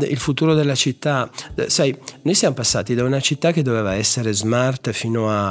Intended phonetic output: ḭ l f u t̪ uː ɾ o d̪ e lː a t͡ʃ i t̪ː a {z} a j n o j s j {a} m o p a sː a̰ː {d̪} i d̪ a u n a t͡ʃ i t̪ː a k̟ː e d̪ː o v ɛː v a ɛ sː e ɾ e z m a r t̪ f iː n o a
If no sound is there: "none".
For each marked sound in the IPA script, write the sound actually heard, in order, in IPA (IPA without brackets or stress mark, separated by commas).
s, a, t̪